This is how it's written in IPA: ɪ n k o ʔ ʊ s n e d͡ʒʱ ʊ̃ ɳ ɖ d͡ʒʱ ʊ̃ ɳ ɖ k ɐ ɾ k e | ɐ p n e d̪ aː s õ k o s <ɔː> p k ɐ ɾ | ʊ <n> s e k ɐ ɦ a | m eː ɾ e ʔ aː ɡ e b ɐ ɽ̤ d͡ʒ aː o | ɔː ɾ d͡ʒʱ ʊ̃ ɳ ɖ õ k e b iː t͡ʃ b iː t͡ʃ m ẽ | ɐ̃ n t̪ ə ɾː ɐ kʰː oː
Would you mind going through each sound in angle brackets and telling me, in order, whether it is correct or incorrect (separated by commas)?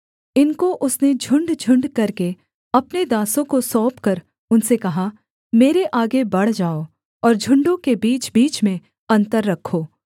correct, correct